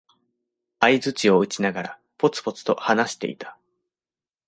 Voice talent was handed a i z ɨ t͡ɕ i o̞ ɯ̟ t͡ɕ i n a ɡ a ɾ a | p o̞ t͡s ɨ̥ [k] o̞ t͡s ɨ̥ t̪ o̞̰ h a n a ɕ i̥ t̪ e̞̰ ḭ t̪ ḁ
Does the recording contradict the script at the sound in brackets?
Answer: yes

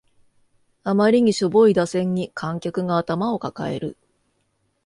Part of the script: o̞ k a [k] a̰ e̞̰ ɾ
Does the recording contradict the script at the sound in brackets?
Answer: no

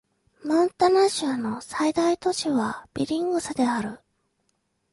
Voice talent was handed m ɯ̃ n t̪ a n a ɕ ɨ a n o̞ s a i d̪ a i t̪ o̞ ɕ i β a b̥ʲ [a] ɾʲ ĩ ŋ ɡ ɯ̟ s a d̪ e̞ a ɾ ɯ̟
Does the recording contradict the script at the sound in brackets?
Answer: yes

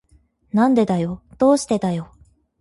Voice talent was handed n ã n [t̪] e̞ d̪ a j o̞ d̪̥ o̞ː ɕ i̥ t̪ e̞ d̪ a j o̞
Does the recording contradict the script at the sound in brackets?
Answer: yes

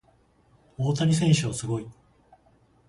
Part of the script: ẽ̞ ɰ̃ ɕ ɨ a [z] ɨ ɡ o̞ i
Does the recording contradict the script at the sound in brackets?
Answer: yes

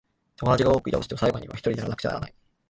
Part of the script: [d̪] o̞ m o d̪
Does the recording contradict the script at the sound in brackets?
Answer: yes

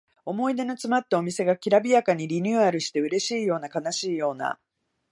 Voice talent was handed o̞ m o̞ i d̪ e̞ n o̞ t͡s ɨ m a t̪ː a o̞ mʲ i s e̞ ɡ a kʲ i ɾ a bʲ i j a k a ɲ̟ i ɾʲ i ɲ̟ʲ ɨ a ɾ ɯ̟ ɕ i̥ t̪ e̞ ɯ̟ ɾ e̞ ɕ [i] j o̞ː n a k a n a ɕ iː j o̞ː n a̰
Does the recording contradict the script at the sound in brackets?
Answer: yes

